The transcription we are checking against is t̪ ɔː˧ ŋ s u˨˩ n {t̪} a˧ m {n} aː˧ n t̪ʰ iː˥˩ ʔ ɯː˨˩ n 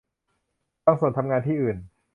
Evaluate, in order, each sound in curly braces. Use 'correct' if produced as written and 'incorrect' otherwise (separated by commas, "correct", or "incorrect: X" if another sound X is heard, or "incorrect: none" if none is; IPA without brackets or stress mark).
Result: incorrect: t̪ʰ, incorrect: ŋ